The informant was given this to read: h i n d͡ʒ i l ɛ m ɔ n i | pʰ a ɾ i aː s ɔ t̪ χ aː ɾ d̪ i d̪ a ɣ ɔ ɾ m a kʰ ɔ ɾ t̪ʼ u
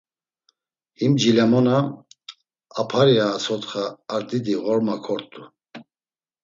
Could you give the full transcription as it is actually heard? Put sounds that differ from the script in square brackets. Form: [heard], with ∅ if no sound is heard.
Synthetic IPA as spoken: h i [m] d͡ʒ i l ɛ m ɔ n [a] | pʰ a ɾ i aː s ɔ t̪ χ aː ɾ d̪ i d̪ [i] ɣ ɔ ɾ m a kʰ ɔ ɾ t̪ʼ u